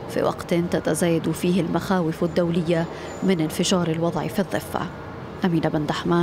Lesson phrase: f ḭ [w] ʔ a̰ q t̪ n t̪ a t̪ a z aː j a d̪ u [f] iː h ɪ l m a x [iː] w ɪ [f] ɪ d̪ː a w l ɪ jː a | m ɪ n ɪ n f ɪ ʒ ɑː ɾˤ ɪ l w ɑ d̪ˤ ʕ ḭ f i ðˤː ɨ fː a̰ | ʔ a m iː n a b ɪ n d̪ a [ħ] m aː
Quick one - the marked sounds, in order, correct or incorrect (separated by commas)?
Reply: correct, correct, incorrect, correct, correct